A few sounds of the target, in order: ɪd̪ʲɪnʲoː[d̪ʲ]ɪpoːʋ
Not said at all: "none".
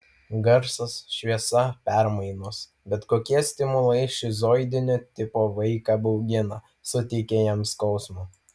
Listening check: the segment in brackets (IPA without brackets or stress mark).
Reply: t̪ʲ